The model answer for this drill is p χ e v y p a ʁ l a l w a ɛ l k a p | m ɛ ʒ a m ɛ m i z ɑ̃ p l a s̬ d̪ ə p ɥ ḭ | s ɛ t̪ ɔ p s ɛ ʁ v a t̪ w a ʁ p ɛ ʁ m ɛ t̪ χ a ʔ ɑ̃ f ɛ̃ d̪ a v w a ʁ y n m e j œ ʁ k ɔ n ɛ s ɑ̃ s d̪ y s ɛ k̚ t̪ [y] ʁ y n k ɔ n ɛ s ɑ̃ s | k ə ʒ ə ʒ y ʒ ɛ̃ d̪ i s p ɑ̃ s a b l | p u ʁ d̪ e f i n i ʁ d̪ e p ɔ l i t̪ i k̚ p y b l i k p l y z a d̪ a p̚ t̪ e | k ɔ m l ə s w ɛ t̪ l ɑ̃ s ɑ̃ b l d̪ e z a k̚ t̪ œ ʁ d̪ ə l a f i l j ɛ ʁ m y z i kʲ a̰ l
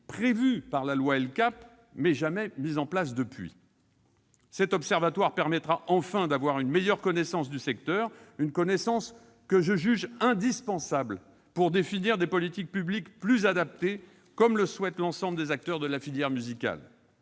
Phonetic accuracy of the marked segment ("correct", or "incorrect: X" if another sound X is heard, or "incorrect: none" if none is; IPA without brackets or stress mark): incorrect: œ